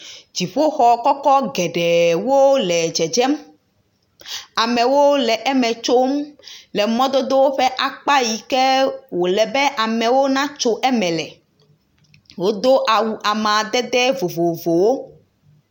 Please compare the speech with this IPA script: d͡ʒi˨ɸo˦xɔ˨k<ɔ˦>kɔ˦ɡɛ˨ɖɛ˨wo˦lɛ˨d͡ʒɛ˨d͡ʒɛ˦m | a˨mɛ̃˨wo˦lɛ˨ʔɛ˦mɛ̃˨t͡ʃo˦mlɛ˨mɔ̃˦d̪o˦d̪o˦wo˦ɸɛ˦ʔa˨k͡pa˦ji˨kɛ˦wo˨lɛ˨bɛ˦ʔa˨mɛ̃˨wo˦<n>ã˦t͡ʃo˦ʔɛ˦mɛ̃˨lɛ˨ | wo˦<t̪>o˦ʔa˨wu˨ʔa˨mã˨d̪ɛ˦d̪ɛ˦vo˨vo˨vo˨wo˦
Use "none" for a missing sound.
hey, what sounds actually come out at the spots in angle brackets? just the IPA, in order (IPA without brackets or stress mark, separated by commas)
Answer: ɔ˦, n, d̪